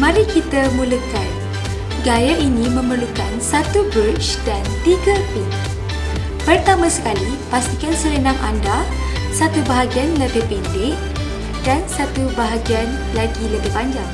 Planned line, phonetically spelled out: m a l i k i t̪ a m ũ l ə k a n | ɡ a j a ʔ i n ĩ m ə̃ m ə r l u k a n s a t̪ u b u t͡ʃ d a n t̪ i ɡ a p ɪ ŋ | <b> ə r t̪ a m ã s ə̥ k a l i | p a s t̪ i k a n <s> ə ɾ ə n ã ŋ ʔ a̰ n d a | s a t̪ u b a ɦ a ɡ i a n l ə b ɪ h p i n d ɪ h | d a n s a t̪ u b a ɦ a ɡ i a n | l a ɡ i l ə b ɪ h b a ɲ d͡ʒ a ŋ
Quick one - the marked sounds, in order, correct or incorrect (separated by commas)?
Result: incorrect, correct